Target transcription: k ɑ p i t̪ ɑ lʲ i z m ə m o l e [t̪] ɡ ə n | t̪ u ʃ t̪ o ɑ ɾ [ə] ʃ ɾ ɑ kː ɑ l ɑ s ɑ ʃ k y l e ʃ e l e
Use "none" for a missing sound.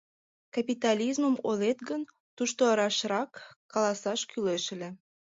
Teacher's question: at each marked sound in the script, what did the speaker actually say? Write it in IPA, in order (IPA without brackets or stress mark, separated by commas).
t̪, ɑ